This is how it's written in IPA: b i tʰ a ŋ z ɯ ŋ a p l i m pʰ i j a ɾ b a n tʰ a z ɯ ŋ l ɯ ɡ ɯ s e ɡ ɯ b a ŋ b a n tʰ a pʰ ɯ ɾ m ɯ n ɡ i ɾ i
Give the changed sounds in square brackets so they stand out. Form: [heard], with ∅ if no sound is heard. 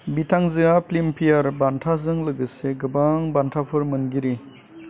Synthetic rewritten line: b i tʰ a ŋ z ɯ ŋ a p l i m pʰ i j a ɾ b a n tʰ a z ɯ ŋ l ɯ ɡ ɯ s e ɡ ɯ b a ŋ b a n tʰ a pʰ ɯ ɾ m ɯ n ɡ i ɾ i

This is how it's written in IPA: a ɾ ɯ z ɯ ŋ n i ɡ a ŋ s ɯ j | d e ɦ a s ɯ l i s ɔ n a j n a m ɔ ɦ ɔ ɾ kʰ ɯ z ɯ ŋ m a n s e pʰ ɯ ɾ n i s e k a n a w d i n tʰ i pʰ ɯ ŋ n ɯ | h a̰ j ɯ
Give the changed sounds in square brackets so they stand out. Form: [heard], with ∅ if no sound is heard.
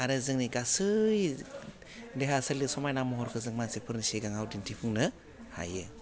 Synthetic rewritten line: a ɾ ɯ z ɯ ŋ n i ɡ a [∅] s ɯ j | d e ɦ a s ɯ l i s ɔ [m] a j n a m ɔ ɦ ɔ ɾ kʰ ɯ z ɯ ŋ m a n s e pʰ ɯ ɾ n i s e [ɡ] a [ŋ] a w d i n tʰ i pʰ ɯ ŋ n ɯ | h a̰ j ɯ

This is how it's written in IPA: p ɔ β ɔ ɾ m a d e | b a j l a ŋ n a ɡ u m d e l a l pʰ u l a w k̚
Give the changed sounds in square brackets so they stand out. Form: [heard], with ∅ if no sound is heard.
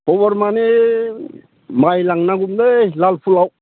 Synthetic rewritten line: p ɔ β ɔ ɾ m a [n] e | [m] a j l a ŋ n a ɡ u m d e l a l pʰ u l a w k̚

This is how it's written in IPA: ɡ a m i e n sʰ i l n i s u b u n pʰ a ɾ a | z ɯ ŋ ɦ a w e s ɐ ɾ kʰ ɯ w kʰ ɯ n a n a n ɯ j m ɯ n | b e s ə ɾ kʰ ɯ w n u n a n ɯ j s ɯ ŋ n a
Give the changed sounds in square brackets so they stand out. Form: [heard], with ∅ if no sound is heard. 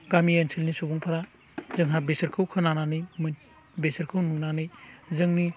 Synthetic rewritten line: ɡ a m i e n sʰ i l n i s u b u [ŋ] pʰ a ɾ a | z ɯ ŋ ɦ a [b] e s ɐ ɾ kʰ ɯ w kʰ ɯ n a n a n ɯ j m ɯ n | b e s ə ɾ kʰ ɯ w n u n a n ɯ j [z] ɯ ŋ n [i]

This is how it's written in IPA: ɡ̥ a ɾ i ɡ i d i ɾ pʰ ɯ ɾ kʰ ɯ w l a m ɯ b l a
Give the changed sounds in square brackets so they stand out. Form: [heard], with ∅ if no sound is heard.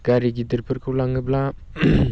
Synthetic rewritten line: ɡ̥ a ɾ i ɡ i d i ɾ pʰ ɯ ɾ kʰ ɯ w l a [ŋ] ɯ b l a

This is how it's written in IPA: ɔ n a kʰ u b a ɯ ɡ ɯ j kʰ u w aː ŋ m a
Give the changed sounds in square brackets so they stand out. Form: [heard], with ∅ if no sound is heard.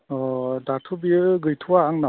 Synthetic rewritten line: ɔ [d] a [tʰ] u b [i] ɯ ɡ ɯ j [tʰ] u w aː ŋ [n] a

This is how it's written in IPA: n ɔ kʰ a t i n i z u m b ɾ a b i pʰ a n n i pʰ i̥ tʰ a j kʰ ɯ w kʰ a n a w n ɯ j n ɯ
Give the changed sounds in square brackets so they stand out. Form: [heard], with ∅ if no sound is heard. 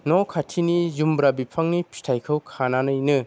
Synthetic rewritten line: n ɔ kʰ a [tʰ] i n i z u m b ɾ a b i pʰ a [ŋ] n i pʰ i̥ tʰ a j kʰ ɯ w kʰ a n a [∅] n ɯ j n ɯ

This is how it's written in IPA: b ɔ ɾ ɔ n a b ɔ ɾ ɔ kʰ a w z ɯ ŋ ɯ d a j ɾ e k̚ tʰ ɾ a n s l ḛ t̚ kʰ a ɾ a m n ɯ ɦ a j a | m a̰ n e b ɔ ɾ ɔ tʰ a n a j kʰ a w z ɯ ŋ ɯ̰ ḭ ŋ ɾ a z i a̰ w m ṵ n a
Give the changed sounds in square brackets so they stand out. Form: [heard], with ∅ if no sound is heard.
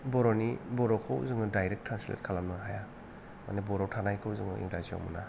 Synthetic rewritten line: b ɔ ɾ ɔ n [i] b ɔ ɾ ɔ kʰ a w z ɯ ŋ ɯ d a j ɾ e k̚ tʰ ɾ a n s l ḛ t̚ kʰ a [l] a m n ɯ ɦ a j a | m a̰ n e b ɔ ɾ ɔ tʰ a n a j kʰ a w z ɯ ŋ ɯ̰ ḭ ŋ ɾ a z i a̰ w m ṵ n a

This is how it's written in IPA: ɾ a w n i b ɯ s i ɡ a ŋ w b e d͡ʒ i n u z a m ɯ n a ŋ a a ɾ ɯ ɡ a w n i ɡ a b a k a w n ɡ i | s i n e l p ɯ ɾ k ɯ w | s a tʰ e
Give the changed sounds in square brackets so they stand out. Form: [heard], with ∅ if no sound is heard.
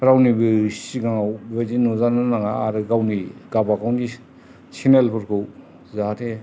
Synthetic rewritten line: ɾ a w n i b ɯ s i ɡ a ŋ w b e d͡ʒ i n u z a [n] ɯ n a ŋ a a ɾ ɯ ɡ a w n i ɡ a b a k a w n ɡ i | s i n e l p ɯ ɾ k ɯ w | [z] a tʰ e

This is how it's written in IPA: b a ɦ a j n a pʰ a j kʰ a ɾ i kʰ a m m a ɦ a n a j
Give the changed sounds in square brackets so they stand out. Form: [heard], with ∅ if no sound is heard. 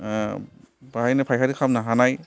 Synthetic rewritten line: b a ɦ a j n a pʰ a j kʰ a ɾ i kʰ a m [n] a ɦ a n a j

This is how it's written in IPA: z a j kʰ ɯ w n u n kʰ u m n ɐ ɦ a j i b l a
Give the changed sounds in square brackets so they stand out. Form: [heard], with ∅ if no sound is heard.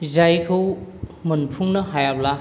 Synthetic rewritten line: z a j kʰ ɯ w [m] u n [pʰ] u [ŋ] n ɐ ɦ a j [a] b l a

